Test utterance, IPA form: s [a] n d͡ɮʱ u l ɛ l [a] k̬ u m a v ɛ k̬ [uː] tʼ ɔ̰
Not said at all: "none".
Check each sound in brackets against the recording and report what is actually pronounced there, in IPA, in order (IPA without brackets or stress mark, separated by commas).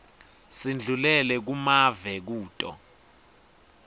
i, ɛ, uː